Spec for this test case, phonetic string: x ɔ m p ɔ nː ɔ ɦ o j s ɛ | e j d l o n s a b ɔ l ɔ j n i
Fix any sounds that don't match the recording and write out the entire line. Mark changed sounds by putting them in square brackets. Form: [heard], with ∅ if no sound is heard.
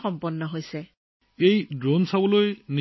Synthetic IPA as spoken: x ɔ m p ɔ nː ɔ ɦ o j s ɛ | e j d [ɹ] o n s a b ɔ l [o] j n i